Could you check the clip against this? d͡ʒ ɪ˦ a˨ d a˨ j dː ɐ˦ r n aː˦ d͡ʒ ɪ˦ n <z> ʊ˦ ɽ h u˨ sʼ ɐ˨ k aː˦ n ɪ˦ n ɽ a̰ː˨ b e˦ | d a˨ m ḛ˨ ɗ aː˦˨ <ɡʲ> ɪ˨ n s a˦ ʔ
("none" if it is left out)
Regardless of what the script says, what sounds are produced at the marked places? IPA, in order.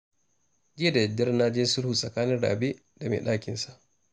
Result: s, kʲ

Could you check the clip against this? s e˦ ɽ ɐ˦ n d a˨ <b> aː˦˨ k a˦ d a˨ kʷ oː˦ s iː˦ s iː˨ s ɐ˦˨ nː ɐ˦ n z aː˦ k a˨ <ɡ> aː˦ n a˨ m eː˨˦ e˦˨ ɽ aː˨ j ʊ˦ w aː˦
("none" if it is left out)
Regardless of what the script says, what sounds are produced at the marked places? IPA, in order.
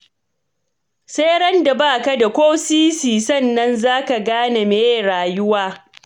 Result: b, ɡ

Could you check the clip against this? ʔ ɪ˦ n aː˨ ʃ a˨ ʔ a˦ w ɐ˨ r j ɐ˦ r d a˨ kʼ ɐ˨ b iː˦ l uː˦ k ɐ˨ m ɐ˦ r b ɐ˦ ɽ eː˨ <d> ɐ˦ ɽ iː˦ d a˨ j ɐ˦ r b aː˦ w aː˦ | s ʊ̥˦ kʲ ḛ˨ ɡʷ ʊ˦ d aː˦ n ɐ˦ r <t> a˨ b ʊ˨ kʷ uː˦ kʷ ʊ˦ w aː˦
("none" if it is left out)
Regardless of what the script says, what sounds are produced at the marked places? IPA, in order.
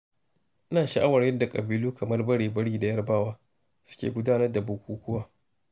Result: b, d

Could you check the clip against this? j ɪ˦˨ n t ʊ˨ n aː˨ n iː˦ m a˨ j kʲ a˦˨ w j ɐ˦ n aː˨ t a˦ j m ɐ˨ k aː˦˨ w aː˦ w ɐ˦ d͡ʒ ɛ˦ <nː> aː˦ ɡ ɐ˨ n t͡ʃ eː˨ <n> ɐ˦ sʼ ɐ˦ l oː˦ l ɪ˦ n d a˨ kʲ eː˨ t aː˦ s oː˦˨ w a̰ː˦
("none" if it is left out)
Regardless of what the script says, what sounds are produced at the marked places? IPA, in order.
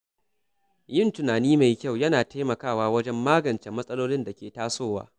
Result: mː, m

